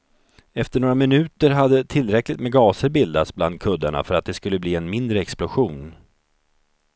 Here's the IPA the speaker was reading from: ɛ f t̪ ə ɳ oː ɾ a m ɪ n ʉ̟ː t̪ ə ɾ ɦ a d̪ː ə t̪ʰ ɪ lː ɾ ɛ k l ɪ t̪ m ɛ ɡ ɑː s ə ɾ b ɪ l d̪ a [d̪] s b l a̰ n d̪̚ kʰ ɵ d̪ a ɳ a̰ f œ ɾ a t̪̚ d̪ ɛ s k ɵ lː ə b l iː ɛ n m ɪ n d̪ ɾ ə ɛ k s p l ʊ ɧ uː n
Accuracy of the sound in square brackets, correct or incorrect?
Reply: incorrect